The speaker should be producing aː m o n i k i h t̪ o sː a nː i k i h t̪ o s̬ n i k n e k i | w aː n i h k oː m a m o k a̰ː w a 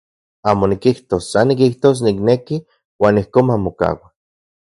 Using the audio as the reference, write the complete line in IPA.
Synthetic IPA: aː m o n i k i h t̪ o sː a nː i k i h t̪ o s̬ n i k n e k i | w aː n i h k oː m a m o k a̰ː w a

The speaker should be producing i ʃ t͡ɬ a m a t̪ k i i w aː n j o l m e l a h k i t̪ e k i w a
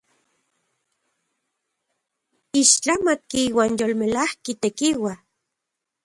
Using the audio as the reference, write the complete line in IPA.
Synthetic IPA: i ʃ t͡ɬ a m a t̪ k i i w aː n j o l m e l a h k i t̪ e k i w a

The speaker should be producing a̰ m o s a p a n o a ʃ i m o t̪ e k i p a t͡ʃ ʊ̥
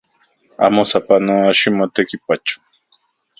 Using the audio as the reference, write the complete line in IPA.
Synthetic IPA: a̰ m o s a p a n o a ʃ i m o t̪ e k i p a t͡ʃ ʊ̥

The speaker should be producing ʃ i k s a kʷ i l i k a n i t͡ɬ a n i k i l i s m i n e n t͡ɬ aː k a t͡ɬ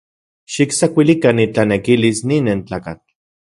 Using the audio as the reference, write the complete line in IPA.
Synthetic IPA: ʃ i k s a kʷ i l i k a n i t͡ɬ a n e k i l i s n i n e n t͡ɬ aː k a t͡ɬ

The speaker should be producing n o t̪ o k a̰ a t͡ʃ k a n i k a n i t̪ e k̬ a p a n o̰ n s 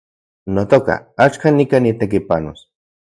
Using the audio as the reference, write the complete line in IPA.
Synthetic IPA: n o t̪ o k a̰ a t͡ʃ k a n i k a n i t̪ e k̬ i p a n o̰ s

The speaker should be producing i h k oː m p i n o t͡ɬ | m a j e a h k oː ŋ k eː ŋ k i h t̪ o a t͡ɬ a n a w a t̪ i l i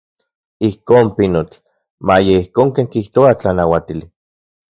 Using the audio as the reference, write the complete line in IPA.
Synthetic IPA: i h k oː m p i n o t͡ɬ | m a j e i h k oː ŋ k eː ŋ k i h t̪ o a t͡ɬ a n a w a t̪ i l i

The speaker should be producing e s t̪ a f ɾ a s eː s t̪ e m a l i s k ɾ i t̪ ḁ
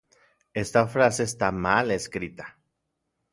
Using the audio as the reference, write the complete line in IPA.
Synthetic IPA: e s t̪ a f ɾ a s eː s t̪ a m a l e s k ɾ i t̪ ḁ

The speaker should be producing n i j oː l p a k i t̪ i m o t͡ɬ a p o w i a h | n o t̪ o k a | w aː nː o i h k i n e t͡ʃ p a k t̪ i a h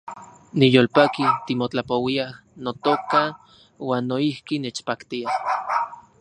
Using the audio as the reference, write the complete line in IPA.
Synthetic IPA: n i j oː l p a k i t̪ i m o t͡ɬ a p o w i a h | n o t̪ o k a | w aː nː o i h k i n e t͡ʃ p a k t̪ i a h

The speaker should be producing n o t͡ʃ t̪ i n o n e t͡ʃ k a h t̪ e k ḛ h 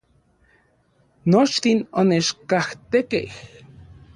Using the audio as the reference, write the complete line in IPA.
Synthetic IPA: n o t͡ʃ t̪ i n o n e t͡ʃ k a h t̪ e k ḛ h

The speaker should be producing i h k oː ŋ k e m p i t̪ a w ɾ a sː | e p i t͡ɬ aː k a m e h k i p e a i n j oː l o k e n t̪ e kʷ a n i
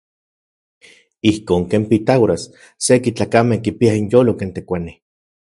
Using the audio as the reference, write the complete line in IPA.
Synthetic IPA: i h k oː ŋ k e m p i t̪ a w ɾ a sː | e k i t͡ɬ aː k a m e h k i p i a i n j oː l o k e n t̪ e kʷ a n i

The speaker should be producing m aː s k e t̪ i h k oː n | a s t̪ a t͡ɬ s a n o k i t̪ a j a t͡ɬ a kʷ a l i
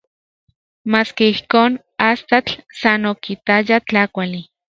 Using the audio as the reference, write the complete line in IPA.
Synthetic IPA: m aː s k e i h k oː n | a s t̪ a t͡ɬ s a n o k i t̪ a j a t͡ɬ a kʷ a l i

